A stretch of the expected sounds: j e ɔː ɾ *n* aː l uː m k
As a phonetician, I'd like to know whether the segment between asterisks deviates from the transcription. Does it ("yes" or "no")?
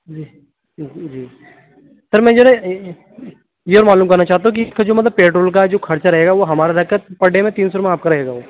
yes